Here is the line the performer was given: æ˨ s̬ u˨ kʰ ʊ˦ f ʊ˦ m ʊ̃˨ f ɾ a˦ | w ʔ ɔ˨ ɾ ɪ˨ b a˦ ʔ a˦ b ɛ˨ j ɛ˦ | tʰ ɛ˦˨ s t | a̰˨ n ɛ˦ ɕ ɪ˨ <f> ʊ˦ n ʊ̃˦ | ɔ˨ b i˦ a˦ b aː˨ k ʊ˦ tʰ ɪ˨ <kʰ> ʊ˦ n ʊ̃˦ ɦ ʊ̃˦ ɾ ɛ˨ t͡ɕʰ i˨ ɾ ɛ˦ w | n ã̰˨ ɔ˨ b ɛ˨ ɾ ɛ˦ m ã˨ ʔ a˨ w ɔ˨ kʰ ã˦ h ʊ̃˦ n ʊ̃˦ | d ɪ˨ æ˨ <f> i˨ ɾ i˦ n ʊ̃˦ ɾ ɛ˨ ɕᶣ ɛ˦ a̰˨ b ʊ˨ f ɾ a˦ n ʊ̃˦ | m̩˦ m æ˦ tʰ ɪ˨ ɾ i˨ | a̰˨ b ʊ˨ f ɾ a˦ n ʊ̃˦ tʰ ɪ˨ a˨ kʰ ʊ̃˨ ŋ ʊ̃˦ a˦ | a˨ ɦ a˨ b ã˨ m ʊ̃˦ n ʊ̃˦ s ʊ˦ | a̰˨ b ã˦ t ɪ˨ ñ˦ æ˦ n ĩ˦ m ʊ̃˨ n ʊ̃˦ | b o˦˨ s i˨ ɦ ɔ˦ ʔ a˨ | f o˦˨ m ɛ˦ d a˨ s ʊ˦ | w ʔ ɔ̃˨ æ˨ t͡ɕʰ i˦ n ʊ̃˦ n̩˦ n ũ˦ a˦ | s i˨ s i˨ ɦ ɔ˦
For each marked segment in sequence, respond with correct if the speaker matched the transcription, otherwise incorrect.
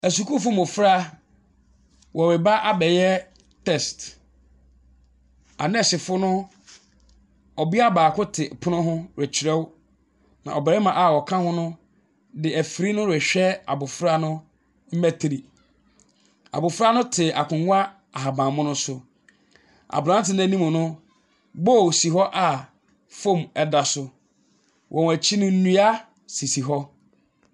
correct, incorrect: pʰ, correct

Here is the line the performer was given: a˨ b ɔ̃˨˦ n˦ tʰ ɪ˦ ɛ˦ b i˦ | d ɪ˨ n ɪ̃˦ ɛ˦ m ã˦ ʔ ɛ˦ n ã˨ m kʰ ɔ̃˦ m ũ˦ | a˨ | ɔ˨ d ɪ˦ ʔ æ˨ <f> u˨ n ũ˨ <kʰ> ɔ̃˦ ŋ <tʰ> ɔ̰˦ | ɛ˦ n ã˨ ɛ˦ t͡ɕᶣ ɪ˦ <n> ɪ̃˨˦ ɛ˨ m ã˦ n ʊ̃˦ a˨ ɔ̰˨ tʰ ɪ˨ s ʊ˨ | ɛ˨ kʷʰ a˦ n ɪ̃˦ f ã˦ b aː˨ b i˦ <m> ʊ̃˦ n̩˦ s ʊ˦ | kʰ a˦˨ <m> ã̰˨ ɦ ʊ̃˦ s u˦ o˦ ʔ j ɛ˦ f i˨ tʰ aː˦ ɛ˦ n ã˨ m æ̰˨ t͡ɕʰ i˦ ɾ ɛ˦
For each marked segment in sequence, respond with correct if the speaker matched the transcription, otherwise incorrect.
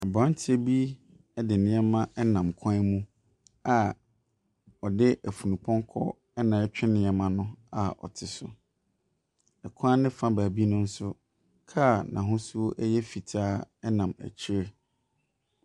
correct, incorrect: pʰ, incorrect: kʰ, correct, incorrect: n, incorrect: n

